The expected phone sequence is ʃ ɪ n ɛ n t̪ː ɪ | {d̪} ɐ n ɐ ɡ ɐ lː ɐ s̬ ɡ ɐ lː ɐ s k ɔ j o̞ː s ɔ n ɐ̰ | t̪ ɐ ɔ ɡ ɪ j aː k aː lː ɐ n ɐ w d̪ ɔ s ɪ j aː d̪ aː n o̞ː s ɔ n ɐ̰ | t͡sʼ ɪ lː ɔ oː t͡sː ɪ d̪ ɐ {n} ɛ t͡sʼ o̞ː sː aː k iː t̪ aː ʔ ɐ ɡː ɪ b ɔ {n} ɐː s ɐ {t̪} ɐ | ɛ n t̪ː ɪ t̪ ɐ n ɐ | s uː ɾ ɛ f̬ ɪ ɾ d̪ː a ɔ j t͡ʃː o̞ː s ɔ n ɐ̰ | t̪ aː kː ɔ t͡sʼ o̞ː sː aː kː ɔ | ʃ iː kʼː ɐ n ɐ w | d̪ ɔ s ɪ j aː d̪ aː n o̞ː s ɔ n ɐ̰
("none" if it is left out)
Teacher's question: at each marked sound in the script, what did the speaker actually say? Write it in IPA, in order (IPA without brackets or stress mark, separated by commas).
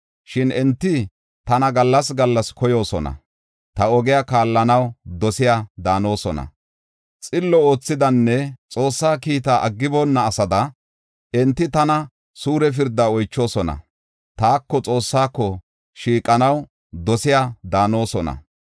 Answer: t̪, nː, nː, d̪